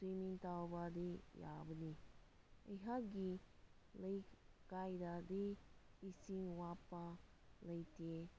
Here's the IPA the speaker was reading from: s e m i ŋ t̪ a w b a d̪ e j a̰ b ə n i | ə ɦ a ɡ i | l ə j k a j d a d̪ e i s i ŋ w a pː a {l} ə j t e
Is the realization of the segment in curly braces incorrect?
no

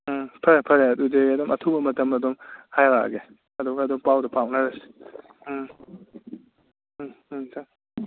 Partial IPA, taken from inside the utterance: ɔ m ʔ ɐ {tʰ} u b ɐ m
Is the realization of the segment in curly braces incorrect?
no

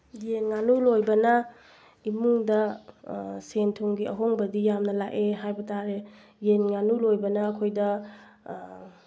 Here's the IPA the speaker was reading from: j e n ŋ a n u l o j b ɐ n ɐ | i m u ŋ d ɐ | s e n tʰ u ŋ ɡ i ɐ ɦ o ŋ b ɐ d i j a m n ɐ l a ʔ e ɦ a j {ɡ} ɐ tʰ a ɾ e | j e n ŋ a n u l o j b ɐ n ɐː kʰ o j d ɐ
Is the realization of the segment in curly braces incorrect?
yes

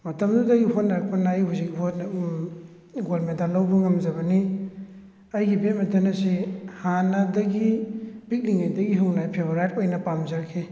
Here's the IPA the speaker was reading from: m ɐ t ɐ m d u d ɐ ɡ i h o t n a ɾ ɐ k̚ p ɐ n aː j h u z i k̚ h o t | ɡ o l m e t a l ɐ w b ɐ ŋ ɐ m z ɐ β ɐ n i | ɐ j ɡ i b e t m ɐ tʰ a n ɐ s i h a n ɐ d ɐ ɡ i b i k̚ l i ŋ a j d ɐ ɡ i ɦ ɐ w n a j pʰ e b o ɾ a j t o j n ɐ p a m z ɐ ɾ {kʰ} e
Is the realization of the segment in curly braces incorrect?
no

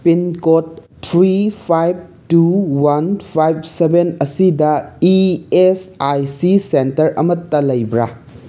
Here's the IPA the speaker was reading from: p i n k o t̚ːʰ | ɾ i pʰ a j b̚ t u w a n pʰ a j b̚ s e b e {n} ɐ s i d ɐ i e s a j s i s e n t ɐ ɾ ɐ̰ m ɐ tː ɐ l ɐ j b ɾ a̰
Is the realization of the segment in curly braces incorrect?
no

